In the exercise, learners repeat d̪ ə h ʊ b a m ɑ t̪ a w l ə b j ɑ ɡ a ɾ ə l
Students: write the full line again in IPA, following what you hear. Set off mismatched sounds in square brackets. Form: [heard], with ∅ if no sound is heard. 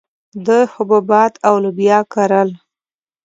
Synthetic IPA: d̪ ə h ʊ b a [b] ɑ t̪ a w l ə b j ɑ [k] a ɾ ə l